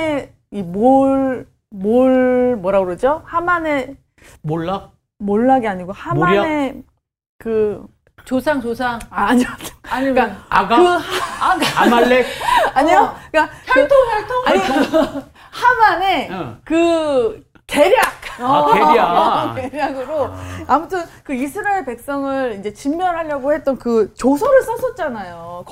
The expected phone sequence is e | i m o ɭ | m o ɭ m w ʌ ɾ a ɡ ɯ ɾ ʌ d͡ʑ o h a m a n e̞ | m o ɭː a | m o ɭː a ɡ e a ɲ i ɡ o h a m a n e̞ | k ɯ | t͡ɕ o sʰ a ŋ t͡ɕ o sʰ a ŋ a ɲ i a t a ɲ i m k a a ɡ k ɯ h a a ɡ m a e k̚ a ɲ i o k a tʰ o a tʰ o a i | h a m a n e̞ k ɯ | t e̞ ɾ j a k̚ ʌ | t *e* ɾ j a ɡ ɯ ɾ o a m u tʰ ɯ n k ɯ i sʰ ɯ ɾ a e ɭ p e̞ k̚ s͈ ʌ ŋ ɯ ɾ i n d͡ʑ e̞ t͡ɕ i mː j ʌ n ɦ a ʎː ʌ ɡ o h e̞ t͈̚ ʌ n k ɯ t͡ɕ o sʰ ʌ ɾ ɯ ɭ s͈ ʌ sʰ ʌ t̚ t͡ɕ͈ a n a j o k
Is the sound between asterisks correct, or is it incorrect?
correct